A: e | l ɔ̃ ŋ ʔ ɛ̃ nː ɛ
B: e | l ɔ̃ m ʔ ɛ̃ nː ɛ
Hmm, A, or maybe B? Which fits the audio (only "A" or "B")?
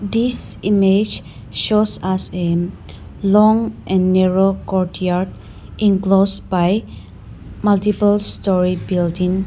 A